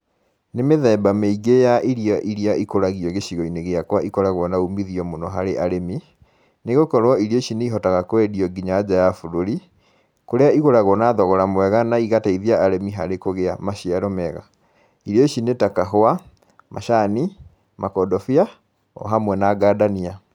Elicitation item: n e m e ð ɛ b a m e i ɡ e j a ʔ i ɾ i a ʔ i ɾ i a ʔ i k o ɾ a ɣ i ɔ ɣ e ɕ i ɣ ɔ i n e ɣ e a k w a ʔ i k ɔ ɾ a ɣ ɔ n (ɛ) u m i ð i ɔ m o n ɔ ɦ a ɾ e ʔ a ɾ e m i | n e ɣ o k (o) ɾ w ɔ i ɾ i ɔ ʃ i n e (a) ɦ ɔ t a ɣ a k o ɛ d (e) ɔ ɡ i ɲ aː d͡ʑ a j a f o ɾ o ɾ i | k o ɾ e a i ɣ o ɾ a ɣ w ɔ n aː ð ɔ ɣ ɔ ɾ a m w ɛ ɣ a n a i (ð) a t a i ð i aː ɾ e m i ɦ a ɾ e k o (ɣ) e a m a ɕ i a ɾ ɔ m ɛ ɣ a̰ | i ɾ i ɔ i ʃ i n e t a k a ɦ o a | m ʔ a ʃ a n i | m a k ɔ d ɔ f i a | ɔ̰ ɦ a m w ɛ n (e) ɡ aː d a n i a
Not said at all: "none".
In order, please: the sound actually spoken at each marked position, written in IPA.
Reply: a, ɔ, i, i, ɣ, ɣ, a

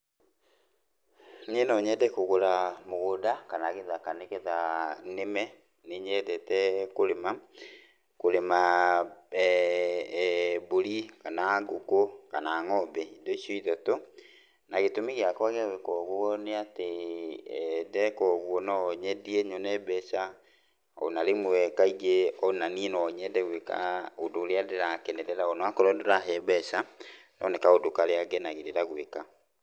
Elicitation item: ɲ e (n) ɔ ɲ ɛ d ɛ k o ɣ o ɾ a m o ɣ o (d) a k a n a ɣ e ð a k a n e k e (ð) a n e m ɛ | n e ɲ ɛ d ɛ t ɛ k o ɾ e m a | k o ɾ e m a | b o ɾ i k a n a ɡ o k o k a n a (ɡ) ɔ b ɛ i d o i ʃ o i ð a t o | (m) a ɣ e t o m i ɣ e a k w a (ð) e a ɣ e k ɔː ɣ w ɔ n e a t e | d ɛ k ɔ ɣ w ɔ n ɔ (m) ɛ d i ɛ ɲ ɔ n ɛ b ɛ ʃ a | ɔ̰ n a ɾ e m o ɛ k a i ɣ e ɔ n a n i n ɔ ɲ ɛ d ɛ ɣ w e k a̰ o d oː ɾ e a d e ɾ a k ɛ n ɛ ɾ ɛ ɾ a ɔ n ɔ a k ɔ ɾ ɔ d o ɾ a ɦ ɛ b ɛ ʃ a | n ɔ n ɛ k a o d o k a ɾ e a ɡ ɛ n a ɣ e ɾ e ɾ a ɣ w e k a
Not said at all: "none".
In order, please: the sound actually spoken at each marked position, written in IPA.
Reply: n, d, ð, ŋ, n, ɣ, ɲ

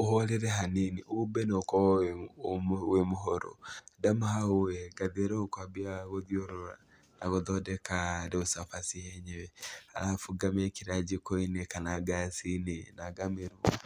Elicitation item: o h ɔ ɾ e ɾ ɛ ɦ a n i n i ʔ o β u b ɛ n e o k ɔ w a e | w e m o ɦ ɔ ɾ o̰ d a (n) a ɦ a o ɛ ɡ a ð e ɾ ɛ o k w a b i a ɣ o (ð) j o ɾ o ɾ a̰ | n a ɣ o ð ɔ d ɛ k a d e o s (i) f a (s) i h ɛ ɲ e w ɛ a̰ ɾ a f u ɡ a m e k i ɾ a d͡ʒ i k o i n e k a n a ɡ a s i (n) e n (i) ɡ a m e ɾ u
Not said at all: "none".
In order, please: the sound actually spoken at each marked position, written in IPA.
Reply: m, ð, a, s, n, a

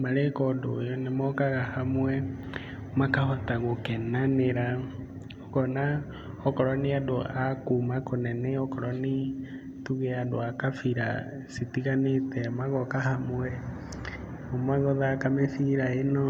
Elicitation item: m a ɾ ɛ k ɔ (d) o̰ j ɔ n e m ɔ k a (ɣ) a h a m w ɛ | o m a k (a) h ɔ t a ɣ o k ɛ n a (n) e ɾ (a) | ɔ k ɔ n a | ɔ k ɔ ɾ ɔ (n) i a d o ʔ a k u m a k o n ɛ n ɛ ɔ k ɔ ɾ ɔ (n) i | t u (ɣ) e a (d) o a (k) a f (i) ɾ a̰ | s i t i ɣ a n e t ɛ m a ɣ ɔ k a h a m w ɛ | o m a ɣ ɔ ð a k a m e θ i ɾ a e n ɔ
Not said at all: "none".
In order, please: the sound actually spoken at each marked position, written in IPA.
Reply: d, ɣ, a, n, a, n, n, ɣ, d, k, i

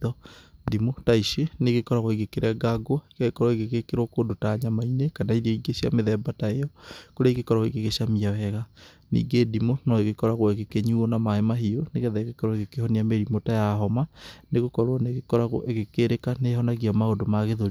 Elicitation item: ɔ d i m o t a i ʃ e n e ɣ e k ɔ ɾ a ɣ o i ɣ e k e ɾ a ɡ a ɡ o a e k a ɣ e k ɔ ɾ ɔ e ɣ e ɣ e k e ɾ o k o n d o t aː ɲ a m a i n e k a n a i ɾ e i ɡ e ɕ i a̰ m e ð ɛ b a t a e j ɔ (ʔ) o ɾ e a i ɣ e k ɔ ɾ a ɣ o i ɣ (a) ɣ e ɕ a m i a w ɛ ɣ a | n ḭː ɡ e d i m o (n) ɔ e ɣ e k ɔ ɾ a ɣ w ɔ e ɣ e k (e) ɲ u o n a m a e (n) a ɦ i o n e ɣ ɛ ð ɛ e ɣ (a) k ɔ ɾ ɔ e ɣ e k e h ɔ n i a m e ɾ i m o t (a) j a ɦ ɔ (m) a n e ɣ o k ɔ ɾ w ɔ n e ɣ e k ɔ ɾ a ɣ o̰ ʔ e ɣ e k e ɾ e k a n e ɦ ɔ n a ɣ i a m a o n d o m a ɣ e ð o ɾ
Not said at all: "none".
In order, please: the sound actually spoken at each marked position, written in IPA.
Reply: k, e, n, e, m, e, a, m

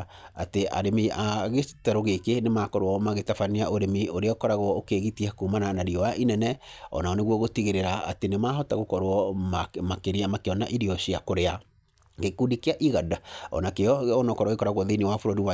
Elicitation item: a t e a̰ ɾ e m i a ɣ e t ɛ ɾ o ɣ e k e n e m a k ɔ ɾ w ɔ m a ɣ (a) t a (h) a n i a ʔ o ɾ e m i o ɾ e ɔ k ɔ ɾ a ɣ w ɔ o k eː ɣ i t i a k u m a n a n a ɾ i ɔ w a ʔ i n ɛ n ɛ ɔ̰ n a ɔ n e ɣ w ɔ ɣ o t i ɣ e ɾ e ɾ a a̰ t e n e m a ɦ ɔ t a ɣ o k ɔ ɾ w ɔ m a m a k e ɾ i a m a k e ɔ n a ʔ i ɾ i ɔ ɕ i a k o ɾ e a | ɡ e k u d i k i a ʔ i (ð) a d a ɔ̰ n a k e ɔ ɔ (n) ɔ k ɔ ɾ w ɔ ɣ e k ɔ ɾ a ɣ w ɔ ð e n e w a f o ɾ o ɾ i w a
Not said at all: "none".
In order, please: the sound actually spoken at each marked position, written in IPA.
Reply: e, f, ɣ, n

